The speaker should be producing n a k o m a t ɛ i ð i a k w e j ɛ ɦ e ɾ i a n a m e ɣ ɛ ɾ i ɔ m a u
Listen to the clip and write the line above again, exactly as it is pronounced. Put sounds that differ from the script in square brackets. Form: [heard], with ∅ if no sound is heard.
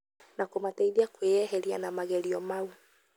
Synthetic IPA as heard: n a k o m a t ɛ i ð i a k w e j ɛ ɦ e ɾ i a n a m [a] ɣ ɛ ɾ i ɔ m a u